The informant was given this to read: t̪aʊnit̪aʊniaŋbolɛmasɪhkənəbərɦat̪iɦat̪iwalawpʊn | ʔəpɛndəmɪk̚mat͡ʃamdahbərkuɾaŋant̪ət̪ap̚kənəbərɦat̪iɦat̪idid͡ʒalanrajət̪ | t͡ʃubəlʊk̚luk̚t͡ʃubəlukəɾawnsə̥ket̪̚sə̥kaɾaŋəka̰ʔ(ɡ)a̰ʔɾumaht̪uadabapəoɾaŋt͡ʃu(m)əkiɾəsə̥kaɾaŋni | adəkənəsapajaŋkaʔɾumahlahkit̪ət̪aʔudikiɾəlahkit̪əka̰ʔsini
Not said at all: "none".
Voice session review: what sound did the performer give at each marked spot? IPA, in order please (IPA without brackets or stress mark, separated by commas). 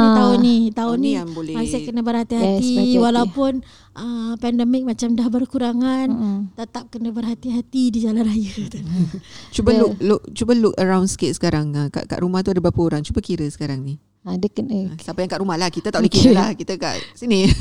k, b